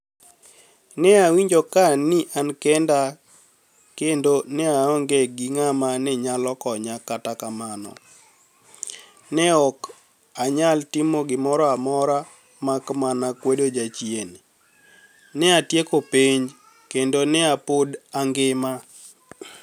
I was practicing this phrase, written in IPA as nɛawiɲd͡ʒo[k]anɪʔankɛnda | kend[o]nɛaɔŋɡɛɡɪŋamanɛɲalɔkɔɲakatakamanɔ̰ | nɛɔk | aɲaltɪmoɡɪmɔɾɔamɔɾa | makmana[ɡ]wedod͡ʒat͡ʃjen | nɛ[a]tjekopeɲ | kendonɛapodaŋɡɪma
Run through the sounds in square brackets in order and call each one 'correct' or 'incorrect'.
correct, correct, incorrect: k, correct

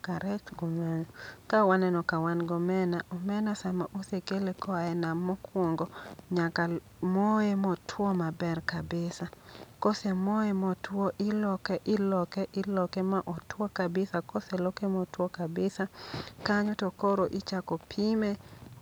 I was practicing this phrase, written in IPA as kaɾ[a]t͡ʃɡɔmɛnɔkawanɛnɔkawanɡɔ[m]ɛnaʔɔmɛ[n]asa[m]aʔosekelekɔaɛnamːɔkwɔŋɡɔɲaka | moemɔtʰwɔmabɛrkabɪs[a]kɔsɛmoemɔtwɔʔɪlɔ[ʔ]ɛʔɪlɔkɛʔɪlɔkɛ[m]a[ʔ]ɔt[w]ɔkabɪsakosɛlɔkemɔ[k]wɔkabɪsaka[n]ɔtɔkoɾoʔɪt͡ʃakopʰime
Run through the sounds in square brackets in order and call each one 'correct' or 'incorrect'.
incorrect: ɛ, correct, correct, correct, correct, incorrect: k, correct, correct, correct, incorrect: t, incorrect: ɲ

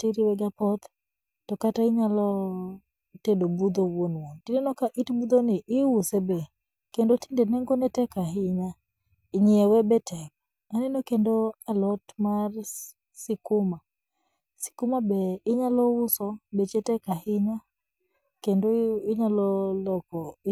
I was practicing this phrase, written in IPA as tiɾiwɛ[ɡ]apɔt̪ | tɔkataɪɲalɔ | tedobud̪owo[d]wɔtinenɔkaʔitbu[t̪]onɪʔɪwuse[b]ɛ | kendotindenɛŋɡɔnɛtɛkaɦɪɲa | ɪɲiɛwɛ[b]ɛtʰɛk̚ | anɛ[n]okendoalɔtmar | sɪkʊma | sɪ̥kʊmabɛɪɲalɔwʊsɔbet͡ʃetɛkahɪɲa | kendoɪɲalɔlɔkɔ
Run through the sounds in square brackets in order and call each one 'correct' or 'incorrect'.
correct, incorrect: n, incorrect: d̪, correct, correct, correct

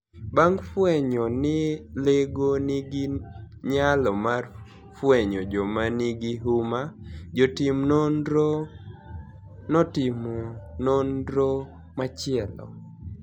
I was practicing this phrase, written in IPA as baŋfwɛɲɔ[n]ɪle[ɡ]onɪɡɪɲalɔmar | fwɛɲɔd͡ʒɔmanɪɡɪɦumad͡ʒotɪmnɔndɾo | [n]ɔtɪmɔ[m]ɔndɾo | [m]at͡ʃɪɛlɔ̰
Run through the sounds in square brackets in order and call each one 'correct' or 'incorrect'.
correct, correct, correct, incorrect: n, correct

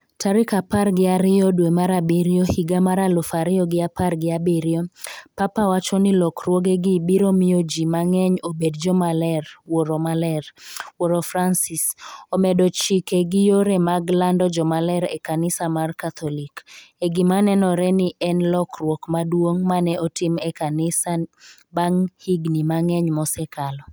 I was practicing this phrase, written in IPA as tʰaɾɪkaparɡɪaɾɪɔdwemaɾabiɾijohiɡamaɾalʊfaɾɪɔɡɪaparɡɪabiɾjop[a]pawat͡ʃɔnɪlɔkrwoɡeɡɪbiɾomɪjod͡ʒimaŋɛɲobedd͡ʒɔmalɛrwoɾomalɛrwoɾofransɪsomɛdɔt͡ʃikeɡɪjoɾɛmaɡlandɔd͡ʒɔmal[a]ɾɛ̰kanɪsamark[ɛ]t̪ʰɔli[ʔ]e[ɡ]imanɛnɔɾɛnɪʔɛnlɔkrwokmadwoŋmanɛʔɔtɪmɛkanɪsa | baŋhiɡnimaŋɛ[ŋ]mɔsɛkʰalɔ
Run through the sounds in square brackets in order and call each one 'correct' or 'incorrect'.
correct, incorrect: ɛ, incorrect: a, incorrect: k, correct, incorrect: ɲ

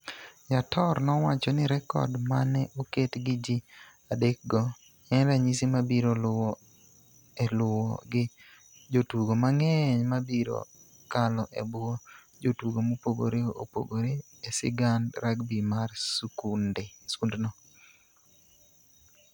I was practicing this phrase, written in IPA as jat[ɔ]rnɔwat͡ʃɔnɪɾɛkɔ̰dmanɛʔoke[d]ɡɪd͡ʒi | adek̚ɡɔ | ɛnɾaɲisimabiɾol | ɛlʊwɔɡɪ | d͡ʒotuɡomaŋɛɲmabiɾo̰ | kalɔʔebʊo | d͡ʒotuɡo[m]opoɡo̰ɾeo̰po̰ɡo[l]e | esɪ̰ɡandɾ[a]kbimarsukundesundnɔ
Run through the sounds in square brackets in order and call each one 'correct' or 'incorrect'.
correct, incorrect: t, correct, incorrect: ɾ, correct

